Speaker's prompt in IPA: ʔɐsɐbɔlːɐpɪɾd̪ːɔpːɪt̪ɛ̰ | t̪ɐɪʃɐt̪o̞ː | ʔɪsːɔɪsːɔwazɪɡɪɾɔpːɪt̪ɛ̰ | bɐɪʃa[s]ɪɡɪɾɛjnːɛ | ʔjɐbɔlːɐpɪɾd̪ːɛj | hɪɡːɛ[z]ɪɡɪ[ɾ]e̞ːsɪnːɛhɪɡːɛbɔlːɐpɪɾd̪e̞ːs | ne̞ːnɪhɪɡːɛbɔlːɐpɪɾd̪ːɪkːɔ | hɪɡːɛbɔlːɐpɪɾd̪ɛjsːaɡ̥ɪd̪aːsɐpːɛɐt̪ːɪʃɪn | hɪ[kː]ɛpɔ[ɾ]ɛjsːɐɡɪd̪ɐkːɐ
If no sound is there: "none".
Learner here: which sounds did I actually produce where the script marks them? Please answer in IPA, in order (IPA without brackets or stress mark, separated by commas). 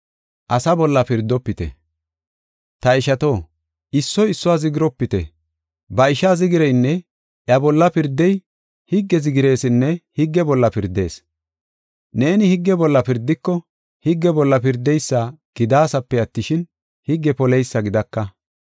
z, z, ɾ, ɡː, l